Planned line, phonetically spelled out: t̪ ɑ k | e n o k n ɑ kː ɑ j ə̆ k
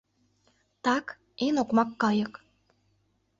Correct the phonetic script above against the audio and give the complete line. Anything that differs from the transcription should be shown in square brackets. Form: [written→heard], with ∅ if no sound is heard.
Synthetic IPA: t̪ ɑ k | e n o k [n→m] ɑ kː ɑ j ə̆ k